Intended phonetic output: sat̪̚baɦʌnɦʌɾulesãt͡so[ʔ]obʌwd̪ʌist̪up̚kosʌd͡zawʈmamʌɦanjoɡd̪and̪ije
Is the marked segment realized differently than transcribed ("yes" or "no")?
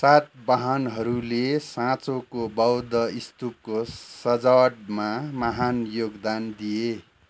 yes